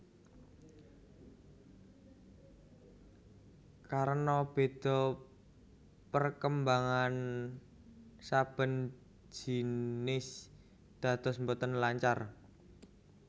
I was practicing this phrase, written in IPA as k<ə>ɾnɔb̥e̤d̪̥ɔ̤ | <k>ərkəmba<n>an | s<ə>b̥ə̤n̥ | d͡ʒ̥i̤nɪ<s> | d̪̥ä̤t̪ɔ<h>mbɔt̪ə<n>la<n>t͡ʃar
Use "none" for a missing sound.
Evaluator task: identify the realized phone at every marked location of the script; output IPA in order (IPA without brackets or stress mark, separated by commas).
a, p, ŋ, a, s, s, n, ɲ